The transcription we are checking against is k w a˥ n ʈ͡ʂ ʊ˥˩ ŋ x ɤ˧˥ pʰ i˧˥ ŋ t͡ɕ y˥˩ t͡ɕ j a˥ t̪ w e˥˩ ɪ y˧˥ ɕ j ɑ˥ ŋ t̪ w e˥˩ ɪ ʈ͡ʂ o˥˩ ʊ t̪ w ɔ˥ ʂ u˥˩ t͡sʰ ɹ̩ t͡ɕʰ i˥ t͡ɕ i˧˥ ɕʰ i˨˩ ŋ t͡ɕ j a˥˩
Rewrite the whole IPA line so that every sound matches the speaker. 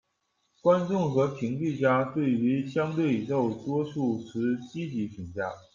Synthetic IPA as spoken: k w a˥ n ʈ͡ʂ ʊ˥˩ ŋ x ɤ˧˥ pʰ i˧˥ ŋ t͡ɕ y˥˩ t͡ɕ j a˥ t̪ w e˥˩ ɪ y˧˥ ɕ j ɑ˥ ŋ t̪ w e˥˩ ɪ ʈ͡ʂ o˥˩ ʊ t̪ w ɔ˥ ʂ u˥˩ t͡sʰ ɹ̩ t͡ɕ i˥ t͡ɕ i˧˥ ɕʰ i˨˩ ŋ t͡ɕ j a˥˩